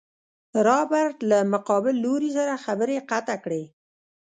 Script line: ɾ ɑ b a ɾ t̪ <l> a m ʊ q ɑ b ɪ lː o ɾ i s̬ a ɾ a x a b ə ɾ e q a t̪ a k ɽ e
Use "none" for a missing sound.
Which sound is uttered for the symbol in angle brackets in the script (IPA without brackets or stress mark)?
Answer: l